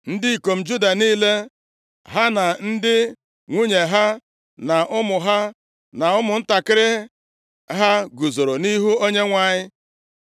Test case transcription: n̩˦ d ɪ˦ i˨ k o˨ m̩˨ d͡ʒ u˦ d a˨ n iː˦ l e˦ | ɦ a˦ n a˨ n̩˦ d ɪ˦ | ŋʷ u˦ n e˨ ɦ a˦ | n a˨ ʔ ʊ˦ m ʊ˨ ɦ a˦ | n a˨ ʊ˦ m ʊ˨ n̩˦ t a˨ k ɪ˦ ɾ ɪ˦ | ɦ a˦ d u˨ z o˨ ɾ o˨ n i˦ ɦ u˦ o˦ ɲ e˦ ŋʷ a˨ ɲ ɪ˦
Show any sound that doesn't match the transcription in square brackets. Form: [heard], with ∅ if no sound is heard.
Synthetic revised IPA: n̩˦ d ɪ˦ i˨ k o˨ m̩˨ d͡ʒ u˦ d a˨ n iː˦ l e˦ | ɦ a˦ n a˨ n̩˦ d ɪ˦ | ŋʷ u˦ [ɲ] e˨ ɦ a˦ | n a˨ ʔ ʊ˦ m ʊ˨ ɦ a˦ | n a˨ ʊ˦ m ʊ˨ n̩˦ t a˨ k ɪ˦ ɾ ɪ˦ | ɦ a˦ [ɡ] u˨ z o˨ ɾ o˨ n i˦ ɦ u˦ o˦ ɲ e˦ ŋʷ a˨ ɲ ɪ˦

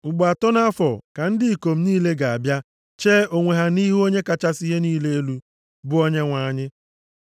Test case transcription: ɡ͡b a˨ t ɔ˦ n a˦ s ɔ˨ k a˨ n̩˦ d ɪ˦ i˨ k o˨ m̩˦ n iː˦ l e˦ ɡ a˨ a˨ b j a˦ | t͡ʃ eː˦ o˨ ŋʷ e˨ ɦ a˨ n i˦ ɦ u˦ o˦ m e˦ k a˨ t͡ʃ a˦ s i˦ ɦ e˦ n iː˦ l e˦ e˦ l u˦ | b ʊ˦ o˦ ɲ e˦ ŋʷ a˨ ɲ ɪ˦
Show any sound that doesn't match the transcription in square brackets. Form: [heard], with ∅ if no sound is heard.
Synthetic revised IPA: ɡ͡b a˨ t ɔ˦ n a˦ [f] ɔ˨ k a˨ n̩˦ d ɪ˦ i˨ k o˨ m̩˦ n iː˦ l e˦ ɡ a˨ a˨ b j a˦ | t͡ʃ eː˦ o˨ ŋʷ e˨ ɦ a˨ n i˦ ɦ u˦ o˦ [ɲ] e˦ k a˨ t͡ʃ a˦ s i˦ ɦ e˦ n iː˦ l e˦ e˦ l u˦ | b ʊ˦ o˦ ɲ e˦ ŋʷ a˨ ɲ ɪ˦

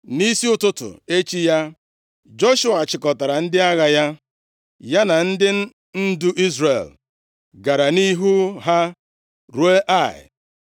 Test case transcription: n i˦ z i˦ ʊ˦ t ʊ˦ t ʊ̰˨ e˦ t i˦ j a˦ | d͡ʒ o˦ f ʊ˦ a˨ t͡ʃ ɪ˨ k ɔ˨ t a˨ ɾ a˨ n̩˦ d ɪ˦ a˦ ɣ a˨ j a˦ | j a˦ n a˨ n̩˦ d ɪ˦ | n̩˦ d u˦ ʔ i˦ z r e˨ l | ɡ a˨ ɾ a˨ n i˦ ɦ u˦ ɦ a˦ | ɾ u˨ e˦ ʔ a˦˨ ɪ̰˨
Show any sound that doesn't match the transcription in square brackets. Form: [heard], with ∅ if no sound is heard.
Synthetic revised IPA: n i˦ [s] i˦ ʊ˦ t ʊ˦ t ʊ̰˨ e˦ [t͡ʃ] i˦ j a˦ | d͡ʒ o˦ [ʃ] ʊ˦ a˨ t͡ʃ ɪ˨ k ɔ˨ t a˨ ɾ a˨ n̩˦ d ɪ˦ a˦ ɣ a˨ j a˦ | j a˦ n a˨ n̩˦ d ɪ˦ | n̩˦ d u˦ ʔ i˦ z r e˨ l | ɡ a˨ ɾ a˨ n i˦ ɦ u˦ ɦ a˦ | ɾ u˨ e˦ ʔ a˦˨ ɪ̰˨

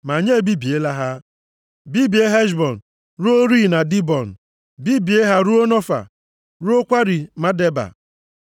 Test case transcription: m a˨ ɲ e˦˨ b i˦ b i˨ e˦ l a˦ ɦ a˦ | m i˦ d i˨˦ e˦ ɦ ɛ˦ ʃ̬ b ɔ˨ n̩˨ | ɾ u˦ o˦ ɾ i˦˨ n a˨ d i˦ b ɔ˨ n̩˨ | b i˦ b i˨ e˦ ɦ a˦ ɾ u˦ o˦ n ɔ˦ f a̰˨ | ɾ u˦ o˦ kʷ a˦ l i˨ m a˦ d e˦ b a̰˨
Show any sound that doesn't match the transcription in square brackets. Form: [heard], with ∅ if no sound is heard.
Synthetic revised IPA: m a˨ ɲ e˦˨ b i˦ b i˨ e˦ l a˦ ɦ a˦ | [b] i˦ [b] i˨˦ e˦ ɦ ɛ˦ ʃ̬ b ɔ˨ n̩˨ | ɾ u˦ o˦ ɾ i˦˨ n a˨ d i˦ b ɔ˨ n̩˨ | b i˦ b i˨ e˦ ɦ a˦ ɾ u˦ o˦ n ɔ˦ f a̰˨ | ɾ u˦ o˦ kʷ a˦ [ɾ] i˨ m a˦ d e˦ b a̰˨

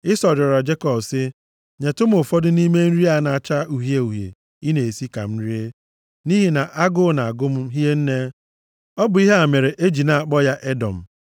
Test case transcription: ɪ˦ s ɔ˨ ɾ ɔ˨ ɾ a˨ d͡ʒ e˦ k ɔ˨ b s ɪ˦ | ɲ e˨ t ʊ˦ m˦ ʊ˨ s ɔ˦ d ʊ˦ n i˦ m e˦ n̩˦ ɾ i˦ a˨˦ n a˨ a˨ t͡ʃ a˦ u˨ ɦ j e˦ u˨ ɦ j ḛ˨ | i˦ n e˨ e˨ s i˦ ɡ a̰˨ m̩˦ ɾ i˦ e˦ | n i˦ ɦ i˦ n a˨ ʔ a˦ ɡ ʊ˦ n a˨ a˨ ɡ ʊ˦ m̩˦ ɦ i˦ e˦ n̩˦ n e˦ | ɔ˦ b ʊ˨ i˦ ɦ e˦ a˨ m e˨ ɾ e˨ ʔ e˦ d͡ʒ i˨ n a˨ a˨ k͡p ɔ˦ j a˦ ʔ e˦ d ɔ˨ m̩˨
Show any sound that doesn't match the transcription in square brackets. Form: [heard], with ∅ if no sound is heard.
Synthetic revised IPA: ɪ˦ s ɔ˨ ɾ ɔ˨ ɾ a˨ d͡ʒ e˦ k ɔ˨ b s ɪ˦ | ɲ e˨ t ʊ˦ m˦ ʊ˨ [f] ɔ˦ d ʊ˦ n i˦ m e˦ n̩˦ ɾ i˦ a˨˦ n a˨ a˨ t͡ʃ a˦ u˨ ɦ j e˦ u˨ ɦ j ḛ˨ | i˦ n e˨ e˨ s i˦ [k] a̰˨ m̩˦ ɾ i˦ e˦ | n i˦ ɦ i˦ n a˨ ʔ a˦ ɡ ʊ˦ n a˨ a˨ ɡ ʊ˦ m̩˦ ɦ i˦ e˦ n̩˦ n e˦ | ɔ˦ b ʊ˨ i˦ ɦ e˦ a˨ m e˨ ɾ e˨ ʔ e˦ d͡ʒ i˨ n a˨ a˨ k͡p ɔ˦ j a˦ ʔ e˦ d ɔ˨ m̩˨

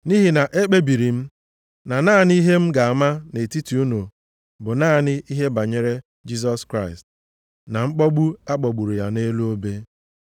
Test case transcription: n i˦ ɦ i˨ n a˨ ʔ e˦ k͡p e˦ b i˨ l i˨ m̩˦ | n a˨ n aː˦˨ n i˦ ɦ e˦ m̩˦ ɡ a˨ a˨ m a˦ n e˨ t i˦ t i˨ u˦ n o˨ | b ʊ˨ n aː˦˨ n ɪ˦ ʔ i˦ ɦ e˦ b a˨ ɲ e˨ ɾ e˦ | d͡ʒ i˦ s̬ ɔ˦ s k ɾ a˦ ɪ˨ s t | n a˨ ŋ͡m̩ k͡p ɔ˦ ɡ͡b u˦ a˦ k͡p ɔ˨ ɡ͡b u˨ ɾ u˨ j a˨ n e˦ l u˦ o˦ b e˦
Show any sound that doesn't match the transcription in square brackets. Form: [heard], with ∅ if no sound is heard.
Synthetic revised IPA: n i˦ ɦ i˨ n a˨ ʔ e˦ k͡p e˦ b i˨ [ɾ] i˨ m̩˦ | n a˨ n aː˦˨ n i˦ ɦ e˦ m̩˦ ɡ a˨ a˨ m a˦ n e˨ t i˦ t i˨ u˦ n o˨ | b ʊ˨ n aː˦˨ n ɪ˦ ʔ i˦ ɦ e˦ b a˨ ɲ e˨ ɾ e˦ | d͡ʒ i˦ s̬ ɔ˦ s k ɾ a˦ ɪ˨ s t | n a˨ ŋ͡m̩ k͡p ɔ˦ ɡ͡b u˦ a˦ k͡p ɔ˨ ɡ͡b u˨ ɾ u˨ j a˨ n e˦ l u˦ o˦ b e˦

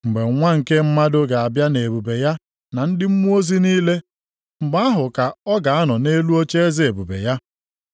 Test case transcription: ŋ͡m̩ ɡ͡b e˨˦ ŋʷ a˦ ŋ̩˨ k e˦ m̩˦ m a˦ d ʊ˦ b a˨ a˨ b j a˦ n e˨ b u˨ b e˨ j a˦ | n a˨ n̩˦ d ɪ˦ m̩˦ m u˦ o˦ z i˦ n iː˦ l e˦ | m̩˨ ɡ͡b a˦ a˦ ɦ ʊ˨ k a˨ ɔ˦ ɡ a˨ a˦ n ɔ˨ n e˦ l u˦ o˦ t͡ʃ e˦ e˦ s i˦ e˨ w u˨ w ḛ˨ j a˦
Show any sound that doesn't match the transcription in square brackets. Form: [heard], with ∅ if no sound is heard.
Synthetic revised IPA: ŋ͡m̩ ɡ͡b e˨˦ ŋʷ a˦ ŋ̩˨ k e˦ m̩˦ m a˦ d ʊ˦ [ɡ] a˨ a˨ b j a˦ n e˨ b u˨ b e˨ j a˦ | n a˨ n̩˦ d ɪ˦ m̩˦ m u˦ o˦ z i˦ n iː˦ l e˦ | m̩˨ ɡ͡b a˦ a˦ ɦ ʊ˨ k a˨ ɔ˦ ɡ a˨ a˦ n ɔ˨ n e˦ l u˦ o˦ t͡ʃ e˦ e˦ [z] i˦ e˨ [b] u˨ [b] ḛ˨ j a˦

